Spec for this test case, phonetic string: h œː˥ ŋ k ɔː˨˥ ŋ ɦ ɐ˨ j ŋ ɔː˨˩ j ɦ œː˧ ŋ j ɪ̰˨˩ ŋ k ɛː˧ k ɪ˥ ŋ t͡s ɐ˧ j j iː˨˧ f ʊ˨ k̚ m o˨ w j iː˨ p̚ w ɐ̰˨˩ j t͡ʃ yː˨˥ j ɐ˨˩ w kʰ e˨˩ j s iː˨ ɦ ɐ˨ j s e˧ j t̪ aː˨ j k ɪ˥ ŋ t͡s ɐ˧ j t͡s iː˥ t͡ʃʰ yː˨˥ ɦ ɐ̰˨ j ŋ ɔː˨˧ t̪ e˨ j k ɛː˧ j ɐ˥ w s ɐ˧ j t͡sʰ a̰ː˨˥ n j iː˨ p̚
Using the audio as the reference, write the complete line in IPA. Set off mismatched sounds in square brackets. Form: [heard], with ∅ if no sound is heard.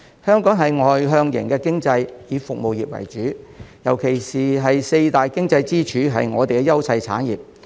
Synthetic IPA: h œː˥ ŋ k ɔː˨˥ ŋ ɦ ɐ˨ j ŋ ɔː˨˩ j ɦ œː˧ ŋ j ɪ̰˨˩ ŋ k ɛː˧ k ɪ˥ ŋ t͡s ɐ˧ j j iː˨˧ f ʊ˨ k̚ m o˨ w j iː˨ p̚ w ɐ̰˨˩ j t͡ʃ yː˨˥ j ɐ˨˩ w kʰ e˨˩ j s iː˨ ɦ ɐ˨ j s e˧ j t̪ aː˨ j k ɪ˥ ŋ t͡s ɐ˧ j t͡s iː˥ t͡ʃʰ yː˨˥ ɦ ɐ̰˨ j ŋ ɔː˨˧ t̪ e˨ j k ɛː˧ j ɐ˥ w s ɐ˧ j t͡sʰ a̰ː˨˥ n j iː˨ p̚